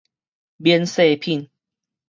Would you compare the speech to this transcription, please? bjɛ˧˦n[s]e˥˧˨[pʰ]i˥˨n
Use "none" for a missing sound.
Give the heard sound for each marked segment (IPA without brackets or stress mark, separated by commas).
s, pʰ